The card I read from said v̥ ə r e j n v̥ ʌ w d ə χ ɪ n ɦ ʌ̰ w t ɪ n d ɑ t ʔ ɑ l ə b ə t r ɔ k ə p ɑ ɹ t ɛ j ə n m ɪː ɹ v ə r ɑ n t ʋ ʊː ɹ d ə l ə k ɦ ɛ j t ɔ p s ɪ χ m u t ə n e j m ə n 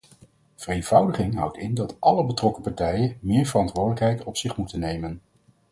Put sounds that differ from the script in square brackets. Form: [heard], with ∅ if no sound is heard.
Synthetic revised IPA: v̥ ə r e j n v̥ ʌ w d ə χ ɪ [ŋ] ɦ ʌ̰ w t ɪ n d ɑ t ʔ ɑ l ə b ə t r ɔ k ə p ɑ ɹ t ɛ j ə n m ɪː ɹ v ə r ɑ n t ʋ ʊː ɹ d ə l ə k ɦ ɛ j t ɔ p s ɪ χ m u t ə n e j m ə n